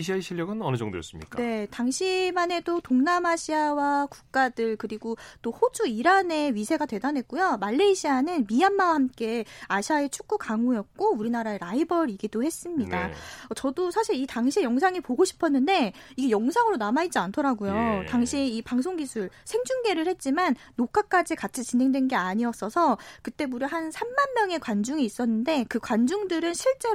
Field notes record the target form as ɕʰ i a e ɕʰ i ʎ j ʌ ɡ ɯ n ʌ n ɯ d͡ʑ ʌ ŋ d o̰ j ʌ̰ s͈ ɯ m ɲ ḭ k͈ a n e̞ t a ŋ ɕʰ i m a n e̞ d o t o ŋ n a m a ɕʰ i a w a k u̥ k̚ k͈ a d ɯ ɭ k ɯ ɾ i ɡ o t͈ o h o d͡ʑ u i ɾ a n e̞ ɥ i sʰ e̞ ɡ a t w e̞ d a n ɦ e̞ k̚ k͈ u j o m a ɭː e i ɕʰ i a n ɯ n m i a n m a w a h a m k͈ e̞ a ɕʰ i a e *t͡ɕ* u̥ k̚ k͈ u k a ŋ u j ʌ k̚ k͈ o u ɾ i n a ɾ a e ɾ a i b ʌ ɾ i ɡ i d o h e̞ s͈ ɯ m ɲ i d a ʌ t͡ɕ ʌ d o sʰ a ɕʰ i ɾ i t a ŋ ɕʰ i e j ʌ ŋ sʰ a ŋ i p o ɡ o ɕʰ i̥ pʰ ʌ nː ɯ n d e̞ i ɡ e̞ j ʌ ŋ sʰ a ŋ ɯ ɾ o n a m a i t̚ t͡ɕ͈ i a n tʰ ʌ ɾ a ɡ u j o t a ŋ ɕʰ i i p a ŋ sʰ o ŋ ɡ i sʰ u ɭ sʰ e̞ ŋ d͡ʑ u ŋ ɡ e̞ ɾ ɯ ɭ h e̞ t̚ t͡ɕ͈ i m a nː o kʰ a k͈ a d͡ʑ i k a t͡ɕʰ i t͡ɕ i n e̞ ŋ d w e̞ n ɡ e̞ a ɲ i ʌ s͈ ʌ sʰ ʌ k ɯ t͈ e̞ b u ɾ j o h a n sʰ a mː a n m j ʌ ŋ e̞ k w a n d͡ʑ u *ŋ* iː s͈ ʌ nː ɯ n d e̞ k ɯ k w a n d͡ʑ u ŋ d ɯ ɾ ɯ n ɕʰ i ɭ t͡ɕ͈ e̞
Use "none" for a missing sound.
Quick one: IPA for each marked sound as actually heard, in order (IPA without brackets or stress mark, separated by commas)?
t͡ɕʰ, ŋ